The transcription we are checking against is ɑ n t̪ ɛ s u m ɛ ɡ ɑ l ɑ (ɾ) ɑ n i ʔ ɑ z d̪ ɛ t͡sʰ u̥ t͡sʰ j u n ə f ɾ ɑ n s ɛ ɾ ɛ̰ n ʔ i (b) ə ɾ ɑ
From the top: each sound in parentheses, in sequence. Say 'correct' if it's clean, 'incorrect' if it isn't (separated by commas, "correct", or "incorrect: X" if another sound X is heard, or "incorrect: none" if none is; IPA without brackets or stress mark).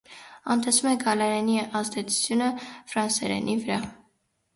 correct, incorrect: v